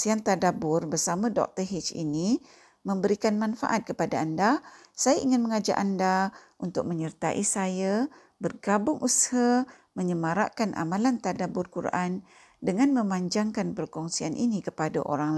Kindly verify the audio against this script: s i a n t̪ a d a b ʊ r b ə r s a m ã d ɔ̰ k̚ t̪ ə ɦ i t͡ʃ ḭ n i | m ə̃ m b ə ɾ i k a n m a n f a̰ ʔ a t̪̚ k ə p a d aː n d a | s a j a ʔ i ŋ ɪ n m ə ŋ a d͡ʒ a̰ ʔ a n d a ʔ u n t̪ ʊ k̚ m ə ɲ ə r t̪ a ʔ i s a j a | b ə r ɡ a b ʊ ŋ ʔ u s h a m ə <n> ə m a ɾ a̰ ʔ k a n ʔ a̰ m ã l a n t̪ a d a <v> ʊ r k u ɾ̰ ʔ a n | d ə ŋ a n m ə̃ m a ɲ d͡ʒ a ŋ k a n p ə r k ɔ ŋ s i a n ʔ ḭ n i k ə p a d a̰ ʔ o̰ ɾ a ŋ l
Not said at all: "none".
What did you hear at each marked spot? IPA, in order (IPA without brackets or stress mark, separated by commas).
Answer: ɲ, b